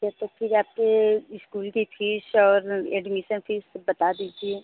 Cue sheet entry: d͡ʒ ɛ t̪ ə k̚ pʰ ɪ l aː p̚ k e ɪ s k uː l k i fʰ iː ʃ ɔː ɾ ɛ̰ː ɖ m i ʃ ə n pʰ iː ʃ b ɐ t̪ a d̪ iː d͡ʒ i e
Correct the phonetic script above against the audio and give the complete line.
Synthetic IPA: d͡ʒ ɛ t̪ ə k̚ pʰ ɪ ɾ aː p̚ k e ɪ s k uː l k i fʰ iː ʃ ɔː ɾ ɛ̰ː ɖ m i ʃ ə n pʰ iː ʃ b ɐ t̪ a d̪ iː d͡ʒ i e